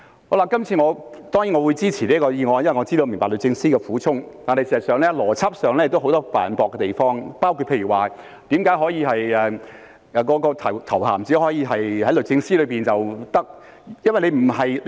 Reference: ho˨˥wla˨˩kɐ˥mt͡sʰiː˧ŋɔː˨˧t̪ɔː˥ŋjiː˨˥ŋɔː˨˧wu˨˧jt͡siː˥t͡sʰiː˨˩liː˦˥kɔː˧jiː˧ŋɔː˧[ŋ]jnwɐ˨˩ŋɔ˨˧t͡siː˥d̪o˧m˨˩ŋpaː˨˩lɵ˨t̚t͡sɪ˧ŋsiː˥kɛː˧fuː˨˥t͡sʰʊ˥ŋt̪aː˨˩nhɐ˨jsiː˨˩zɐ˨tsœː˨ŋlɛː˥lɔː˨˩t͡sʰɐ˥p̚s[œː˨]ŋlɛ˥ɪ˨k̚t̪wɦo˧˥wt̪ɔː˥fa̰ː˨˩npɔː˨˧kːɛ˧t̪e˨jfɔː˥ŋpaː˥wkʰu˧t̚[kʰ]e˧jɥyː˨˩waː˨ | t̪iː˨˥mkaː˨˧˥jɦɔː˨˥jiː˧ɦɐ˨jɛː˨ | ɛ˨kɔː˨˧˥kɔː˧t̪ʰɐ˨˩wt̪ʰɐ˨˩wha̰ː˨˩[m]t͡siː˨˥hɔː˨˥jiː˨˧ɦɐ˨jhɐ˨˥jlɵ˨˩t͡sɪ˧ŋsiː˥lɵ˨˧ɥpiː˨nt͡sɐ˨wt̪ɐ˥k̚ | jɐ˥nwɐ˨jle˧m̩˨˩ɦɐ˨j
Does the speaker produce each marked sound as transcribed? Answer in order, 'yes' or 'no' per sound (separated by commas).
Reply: no, yes, no, yes